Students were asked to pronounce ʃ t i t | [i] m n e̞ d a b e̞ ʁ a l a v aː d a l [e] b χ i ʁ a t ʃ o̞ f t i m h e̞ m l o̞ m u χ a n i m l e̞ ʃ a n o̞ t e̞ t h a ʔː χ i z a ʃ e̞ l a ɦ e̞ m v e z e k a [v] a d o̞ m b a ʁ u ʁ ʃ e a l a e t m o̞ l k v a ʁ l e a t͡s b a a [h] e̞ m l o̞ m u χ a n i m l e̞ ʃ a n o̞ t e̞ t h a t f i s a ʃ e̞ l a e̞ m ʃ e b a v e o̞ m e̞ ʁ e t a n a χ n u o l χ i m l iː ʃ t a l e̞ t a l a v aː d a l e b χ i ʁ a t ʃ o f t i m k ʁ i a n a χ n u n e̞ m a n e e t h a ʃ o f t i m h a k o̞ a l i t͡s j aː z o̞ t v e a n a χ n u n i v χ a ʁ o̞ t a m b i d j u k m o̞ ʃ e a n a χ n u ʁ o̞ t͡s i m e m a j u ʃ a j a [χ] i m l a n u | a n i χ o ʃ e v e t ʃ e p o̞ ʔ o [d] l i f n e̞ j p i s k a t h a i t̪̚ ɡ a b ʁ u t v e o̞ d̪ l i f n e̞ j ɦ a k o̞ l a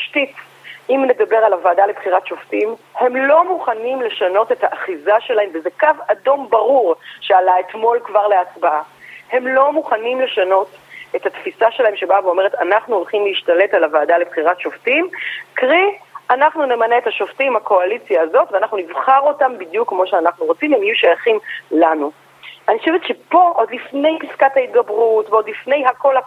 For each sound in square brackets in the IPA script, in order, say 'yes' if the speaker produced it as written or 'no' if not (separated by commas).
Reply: yes, yes, yes, yes, yes, yes